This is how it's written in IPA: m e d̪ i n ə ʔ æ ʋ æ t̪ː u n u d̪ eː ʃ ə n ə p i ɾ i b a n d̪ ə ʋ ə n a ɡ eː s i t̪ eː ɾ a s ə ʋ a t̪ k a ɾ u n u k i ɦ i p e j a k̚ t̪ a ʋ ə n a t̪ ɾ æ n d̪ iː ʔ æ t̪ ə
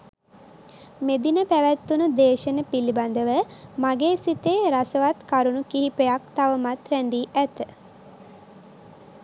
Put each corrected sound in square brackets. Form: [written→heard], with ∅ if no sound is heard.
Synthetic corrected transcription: m e d̪ i n ə [ʔ→p] æ ʋ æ t̪ː u n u d̪ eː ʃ ə n ə p i [ɾ→l] i b a n d̪ ə ʋ ə [n→m] a ɡ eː s i t̪ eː ɾ a s ə ʋ a t̪ k a ɾ u n u k i ɦ i p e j a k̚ t̪ a ʋ ə [n→m] a t̪ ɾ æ n d̪ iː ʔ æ t̪ ə